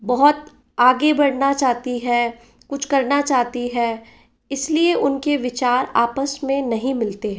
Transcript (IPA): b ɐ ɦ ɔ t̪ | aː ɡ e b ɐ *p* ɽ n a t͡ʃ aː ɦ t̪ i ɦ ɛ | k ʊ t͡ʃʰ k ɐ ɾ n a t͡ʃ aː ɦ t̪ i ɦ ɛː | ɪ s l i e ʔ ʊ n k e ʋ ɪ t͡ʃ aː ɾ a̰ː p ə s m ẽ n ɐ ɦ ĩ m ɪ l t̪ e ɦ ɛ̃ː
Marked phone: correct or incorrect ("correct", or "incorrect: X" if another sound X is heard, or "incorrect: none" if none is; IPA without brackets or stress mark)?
incorrect: none